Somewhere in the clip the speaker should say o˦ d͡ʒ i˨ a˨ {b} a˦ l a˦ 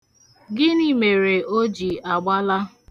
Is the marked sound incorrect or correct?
incorrect